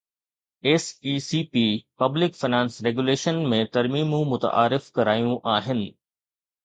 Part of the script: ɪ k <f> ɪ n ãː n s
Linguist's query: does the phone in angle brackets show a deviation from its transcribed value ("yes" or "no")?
no